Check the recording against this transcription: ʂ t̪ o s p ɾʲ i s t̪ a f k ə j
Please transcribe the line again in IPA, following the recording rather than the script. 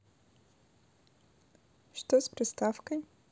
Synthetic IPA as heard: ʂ t̪ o s p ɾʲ ɪ s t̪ a f k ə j